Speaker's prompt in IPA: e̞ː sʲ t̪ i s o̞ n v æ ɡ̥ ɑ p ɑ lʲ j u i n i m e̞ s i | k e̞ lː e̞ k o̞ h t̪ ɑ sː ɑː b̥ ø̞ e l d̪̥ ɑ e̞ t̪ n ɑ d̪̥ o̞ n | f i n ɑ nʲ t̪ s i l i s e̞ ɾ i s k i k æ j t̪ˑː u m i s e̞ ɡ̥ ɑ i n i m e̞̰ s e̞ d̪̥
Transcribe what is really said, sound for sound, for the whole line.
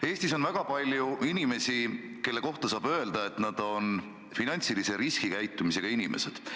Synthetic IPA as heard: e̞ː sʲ t̪ i s o̞ n v æ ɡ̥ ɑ p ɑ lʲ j u i n i m e̞ s i | k e̞ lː e̞ k o̞ h t̪ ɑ s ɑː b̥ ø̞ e l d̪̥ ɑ e̞ t̪ n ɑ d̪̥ o̞ n | f i n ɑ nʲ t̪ s i l i s e̞ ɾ i s k i k æ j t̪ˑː u m i s e̞ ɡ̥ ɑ i n i m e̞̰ s e̞ d̪̥